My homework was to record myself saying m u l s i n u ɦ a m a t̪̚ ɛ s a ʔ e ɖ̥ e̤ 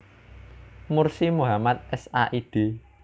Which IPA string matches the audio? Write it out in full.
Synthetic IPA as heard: m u r s i m u ɦ a m a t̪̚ ɛ s a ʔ i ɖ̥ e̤